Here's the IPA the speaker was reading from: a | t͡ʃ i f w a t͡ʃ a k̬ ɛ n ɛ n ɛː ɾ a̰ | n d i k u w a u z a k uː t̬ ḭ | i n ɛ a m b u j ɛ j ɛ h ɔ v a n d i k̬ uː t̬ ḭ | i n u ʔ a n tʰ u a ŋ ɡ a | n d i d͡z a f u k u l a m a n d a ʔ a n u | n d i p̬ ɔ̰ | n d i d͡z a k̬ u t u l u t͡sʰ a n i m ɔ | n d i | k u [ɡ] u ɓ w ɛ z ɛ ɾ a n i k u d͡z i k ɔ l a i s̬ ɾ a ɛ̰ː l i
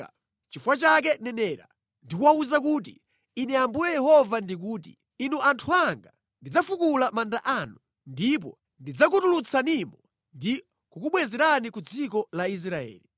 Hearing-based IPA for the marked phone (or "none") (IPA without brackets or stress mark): k